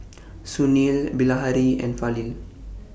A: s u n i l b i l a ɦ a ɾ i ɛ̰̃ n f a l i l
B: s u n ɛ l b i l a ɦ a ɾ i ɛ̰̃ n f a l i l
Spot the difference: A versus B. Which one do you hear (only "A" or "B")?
A